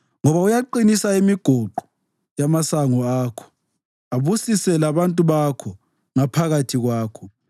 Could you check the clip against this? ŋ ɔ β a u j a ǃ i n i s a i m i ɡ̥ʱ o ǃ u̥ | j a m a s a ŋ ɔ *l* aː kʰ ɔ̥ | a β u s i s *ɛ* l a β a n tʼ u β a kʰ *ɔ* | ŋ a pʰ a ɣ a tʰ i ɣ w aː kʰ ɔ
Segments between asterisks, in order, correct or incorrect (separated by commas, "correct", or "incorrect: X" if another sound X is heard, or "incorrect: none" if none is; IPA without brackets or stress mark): incorrect: none, correct, correct